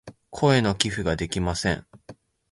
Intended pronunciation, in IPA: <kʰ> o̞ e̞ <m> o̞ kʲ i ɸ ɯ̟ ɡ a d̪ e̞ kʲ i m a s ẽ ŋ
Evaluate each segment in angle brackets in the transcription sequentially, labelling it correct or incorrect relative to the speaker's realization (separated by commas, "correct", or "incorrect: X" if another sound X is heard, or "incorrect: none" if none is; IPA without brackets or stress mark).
correct, incorrect: n